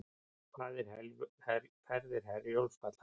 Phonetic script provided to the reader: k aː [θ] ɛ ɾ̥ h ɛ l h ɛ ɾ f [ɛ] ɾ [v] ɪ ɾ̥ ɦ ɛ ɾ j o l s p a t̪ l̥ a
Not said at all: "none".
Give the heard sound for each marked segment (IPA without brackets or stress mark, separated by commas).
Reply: ð, ɛ, ð